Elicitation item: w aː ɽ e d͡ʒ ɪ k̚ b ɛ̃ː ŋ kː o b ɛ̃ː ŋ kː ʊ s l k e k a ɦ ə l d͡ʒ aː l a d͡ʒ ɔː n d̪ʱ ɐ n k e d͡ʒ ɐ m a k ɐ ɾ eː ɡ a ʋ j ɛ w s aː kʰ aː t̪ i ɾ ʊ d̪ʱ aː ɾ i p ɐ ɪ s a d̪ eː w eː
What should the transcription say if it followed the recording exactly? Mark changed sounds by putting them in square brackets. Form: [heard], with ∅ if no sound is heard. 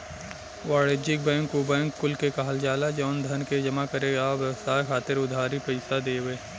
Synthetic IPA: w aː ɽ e d͡ʒ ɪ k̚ b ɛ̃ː ŋ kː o b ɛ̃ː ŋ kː ʊ [∅] l k e k a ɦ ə l d͡ʒ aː l a d͡ʒ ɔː n d̪ʱ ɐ n k e d͡ʒ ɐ m a k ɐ ɾ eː ɡ a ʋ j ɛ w s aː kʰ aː t̪ [ɪ] ɾ ʊ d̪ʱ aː ɾ i p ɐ ɪ s a d̪ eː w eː

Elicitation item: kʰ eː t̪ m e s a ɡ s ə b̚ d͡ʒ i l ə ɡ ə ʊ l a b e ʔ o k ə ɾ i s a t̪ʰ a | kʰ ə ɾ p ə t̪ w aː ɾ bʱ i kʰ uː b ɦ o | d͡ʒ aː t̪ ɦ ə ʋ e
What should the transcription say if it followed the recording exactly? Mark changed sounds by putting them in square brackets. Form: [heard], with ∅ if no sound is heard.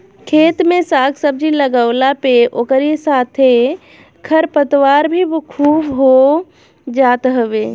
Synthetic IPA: kʰ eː t̪ m e s a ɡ s ə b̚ d͡ʒ i l ə ɡ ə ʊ l a [p] e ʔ o k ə ɾ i s a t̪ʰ [e] | kʰ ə ɾ p ə t̪ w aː ɾ bʱ i kʰ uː b ɦ o | d͡ʒ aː t̪ ɦ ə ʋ e

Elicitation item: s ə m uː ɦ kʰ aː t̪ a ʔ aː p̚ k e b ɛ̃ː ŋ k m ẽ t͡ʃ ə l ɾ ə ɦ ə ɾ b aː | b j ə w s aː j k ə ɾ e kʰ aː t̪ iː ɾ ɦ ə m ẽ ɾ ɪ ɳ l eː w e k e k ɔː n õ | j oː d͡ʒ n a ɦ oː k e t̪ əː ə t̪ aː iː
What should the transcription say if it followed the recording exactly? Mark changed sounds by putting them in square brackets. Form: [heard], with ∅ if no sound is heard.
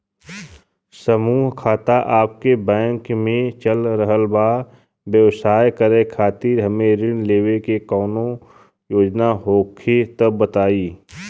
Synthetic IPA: s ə m uː ɦ kʰ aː t̪ a ʔ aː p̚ k e b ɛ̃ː ŋ k m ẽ t͡ʃ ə l ɾ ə ɦ ə [l] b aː | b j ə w s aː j k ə ɾ e kʰ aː t̪ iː ɾ ɦ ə m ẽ ɾ ɪ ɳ l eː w e k e k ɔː n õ | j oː d͡ʒ n a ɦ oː [kʰ] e t̪ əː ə t̪ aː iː

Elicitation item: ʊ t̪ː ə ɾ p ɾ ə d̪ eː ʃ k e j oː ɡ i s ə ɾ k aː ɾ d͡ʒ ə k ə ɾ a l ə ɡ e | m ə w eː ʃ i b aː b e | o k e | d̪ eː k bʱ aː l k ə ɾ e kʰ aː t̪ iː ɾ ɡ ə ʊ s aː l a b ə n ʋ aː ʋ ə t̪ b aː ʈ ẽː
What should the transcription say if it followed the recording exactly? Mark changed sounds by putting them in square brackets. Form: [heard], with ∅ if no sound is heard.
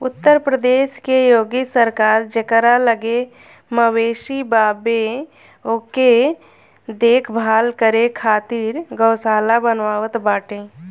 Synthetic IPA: ʊ t̪ː ə ɾ p ɾ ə d̪ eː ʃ k e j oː ɡ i s ə ɾ k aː ɾ d͡ʒ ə k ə ɾ a l ə ɡ e | m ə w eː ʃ i b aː b e | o k e | d̪ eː [kʰ] bʱ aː l k ə ɾ e kʰ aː t̪ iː ɾ ɡ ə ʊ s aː l a b ə n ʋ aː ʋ ə t̪ b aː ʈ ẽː

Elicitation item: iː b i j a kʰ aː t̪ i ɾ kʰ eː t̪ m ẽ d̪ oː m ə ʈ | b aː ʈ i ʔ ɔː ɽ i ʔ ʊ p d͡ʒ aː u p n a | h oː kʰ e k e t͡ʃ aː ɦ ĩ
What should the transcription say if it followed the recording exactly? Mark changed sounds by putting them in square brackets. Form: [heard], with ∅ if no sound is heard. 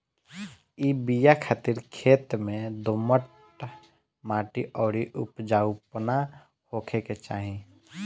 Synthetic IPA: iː b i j a kʰ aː t̪ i ɾ kʰ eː t̪ m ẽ d̪ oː m ə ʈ | [m] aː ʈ i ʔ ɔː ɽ i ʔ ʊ p d͡ʒ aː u p n a | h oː kʰ e k e t͡ʃ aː ɦ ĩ

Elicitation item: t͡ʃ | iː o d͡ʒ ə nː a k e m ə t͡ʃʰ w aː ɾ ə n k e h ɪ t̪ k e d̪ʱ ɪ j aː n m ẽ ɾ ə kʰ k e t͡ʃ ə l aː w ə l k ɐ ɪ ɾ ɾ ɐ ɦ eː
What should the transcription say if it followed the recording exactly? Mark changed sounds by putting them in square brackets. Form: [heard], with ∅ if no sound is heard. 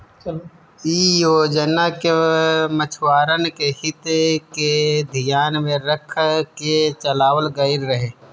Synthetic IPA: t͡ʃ | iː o d͡ʒ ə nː a k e m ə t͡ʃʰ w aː ɾ ə n k e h ɪ t̪ k e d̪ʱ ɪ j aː n m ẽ ɾ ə kʰ k e t͡ʃ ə l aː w ə l [ɡ] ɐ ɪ ɾ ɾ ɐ ɦ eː

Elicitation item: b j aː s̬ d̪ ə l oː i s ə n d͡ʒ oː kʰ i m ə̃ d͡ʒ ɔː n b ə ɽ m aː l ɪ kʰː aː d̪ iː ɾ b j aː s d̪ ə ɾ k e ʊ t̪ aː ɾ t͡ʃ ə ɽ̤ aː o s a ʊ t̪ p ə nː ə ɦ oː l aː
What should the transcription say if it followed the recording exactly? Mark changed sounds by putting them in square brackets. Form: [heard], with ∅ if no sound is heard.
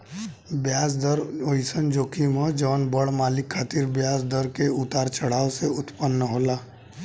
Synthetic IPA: b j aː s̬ d̪ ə [ɾ] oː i s ə n d͡ʒ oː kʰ i m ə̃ d͡ʒ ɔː n b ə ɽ m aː l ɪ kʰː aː [t̪] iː ɾ b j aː s d̪ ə ɾ k e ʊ t̪ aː ɾ t͡ʃ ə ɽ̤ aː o s [e] ʊ t̪ p ə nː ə ɦ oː l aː

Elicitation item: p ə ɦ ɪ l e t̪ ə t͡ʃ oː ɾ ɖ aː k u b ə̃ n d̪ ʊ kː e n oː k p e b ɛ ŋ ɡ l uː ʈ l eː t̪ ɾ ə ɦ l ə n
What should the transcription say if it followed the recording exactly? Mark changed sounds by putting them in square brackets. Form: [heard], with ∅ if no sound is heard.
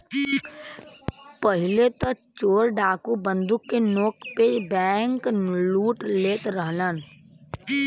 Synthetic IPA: p ə ɦ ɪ l e t̪ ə t͡ʃ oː ɾ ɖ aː k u b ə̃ n d̪ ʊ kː e n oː k p e b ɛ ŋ [k] l uː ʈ l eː t̪ ɾ ə ɦ l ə n

